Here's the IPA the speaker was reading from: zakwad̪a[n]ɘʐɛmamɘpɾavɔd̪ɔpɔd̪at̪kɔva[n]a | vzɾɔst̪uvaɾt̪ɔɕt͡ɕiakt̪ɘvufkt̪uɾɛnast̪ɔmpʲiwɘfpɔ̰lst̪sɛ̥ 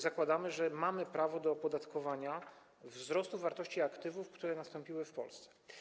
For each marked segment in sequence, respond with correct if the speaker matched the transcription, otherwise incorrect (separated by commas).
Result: incorrect, incorrect